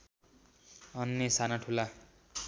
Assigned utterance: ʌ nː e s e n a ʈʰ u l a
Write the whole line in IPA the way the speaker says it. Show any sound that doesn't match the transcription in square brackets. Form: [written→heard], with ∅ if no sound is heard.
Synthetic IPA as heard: ʌ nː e s [e→a] n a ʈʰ u l a